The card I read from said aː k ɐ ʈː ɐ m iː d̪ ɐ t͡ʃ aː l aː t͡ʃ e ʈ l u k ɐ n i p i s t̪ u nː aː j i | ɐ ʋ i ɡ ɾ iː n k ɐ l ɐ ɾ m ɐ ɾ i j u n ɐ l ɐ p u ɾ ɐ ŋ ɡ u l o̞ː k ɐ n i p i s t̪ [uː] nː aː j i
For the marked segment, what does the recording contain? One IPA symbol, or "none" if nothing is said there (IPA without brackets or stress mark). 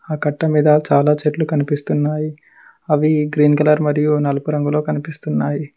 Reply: u